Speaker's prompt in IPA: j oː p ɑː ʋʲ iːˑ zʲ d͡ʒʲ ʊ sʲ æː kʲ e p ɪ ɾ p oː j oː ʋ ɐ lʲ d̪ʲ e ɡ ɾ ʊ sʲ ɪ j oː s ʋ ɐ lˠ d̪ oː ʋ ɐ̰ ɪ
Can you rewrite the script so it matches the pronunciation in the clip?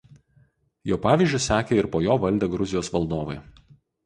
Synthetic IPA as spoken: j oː p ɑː ʋʲ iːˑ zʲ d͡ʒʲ ʊ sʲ æː kʲ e ɪ ɾ p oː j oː ʋ ɐ lʲ d̪ʲ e ɡ ɾ ʊ zʲ ɪ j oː s ʋ ɐ lˠ d̪ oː ʋ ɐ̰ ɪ

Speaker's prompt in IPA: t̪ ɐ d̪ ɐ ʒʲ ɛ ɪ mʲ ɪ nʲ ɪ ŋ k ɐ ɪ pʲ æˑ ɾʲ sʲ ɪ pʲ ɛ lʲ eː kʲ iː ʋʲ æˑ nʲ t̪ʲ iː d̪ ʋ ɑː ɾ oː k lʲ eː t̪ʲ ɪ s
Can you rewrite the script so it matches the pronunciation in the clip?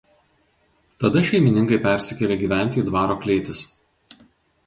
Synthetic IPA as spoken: t̪ ɐ d̪ ɐ ʃʲ ɛ ɪ mʲ ɪ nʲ ɪ ŋ k ɐ ɪ pʲ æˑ ɾʲ sʲ ɪ kʲ ɛ lʲ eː ɡʲ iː ʋʲ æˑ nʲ t̪ʲ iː d̪ ʋ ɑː ɾ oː k lʲ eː t̪ʲ ɪ s

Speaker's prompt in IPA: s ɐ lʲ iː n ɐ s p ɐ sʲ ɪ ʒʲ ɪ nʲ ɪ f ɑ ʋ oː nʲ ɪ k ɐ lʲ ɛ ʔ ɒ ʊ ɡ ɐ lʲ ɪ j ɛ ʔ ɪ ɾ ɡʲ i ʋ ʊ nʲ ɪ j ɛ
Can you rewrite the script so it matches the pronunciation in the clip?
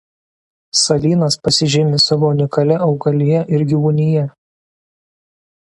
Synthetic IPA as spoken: s ɐ lʲ iː n ɐ s p ɐ sʲ ɪ ʒʲ ɪ mʲ ɪ s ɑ ʋ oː nʲ ɪ k ɐ lʲ ɛ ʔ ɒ ʊ ɡ ɐ lʲ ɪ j ɛ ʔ ɪ ɾ ɡʲ i ʋ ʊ nʲ ɪ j ɛ

